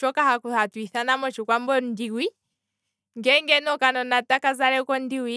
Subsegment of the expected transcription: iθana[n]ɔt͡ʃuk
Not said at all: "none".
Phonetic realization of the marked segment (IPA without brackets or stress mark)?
m